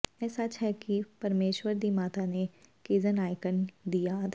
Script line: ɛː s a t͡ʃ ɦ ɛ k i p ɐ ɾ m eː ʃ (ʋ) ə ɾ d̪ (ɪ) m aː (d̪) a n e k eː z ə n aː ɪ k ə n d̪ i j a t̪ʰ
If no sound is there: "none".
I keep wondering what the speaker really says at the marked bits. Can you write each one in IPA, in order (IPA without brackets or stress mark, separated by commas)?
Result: w, i, t̪